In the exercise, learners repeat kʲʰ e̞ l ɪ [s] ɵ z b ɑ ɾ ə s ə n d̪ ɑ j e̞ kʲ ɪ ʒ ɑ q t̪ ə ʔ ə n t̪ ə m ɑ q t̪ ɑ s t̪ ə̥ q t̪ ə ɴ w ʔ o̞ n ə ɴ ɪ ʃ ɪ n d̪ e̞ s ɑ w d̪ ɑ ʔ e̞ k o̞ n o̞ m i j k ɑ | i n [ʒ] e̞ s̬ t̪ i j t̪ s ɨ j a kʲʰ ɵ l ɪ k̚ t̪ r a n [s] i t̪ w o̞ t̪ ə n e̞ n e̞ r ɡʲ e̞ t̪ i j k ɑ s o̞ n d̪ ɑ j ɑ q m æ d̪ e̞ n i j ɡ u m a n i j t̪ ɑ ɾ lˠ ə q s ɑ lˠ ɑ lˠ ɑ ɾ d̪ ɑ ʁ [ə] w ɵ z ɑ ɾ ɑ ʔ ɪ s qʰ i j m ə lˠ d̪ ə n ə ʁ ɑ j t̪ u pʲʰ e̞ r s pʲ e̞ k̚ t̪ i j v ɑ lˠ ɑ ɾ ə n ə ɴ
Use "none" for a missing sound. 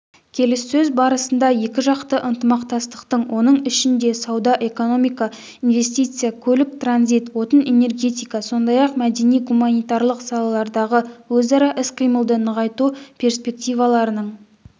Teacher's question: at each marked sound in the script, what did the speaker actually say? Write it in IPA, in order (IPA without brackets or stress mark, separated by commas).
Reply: sː, v, z, ə